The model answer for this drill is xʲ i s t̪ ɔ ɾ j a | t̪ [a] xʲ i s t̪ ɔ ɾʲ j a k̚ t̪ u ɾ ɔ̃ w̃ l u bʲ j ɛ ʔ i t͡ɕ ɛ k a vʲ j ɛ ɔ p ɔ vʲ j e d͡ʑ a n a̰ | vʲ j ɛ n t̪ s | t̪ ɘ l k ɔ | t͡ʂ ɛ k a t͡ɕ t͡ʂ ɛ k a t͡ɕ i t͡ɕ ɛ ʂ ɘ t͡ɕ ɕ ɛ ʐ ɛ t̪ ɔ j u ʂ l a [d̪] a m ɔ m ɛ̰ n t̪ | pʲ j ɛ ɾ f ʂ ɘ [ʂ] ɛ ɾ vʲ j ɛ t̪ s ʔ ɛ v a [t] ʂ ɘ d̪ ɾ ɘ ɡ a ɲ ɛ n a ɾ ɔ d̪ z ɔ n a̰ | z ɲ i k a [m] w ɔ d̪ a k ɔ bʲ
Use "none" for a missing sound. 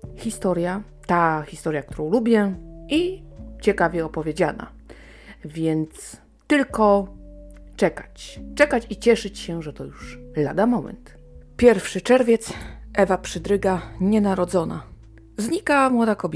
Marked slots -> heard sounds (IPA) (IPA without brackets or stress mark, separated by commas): a, d̪, t͡ʂ, p, m